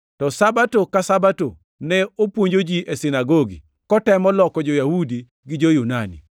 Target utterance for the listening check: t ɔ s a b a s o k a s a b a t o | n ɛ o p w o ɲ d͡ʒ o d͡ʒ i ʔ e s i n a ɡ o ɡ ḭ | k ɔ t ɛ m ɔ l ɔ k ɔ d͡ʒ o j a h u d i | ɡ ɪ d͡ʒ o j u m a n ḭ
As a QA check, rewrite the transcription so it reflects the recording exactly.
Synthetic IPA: t ɔ s a b a t o k a s a b a t o | n ɛ o p w o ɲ d͡ʒ o d͡ʒ i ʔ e s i n a ɡ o ɡ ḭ | k ɔ t ɛ m ɔ l ɔ k ɔ d͡ʒ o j a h u d i | ɡ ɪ d͡ʒ o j u n a n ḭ

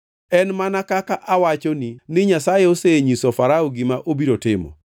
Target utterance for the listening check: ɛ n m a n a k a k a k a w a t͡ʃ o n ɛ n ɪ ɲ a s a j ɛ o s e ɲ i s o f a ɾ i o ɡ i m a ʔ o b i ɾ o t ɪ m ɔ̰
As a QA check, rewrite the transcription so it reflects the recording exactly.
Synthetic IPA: ɛ n m a n a k a k a ʔ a w a t͡ʃ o n i n ɪ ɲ a s a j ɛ o s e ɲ i s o f a ɾ a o ɡ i m a ʔ o b i ɾ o t ɪ m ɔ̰

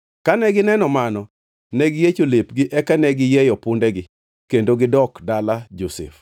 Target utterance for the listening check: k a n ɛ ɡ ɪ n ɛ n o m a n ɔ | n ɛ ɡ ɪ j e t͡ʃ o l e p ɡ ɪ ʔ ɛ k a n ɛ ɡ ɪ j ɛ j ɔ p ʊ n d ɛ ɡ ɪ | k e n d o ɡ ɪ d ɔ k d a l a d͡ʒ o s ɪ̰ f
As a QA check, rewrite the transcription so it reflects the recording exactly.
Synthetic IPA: k a n ɛ ɡ ɪ n ɛ n ɔ m a n ɔ | n ɛ ɡ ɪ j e t͡ʃ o l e p ɡ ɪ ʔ ɛ k a n ɛ ɡ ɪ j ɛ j ɔ p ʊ n d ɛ ɡ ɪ | k e n d o ɡ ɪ d ɔ k d a l a d͡ʒ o s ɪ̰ f

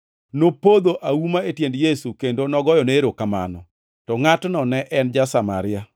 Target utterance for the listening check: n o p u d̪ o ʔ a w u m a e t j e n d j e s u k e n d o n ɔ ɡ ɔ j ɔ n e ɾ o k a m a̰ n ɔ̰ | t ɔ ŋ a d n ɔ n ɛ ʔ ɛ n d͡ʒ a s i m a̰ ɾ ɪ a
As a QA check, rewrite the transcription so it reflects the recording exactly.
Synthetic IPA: n o p o d̪ o ʔ a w u m a e t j e n d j e s u k e n d o n ɔ ɡ ɔ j ɔ n e ɾ o k a m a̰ n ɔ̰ | t ɔ ŋ a t n ɔ n ɛ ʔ ɛ n d͡ʒ a s a m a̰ ɾ ɪ a

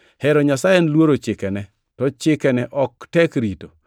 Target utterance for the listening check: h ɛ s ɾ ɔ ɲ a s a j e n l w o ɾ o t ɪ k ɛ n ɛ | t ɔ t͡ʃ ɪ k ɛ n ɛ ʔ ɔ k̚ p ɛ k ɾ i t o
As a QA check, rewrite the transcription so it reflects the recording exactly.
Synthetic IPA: h ɛ ɾ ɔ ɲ a s a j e n l w o ɾ o t͡ʃ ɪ k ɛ n ɛ | t ɔ t͡ʃ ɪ k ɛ n ɛ ʔ ɔ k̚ t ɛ k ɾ i t o

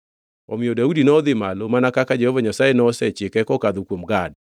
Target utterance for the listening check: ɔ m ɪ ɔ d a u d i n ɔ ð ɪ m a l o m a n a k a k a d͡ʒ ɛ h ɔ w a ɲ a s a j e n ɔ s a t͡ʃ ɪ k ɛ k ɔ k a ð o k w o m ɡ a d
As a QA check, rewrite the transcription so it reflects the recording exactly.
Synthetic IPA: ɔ m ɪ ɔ d a u d i n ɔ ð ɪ m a l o m a n a k a k a d͡ʒ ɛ h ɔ v a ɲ a s a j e n ɔ s ɛ t͡ʃ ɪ k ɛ k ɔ k a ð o k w o m ɡ a d

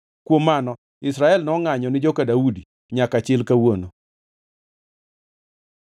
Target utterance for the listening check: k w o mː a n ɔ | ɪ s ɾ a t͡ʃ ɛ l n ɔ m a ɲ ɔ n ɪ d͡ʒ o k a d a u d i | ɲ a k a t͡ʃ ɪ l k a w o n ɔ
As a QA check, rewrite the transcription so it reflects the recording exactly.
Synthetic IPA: k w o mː a n ɔ | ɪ s ɾ a ɛ l n ɔ ŋ a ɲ ɔ n ɪ d͡ʒ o k a d a u d i | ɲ a k a t͡ʃ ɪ l k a w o n o

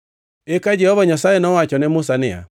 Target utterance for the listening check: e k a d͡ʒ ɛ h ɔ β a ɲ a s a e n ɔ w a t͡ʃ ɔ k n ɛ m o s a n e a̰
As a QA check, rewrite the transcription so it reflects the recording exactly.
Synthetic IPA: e k a d͡ʒ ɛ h ɔ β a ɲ a s a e n ɔ w a t͡ʃ ɔ n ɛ m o s a n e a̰

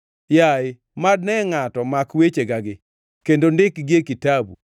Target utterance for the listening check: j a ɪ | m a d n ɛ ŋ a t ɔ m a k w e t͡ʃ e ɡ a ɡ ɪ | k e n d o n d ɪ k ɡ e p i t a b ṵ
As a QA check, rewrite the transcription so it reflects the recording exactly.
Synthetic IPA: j a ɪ | m a d n ɛ ŋ a t ɔ m a k w e t͡ʃ e ɡ a ɡ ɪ | k e n d o n d ɪ k ɡ e k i t a b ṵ

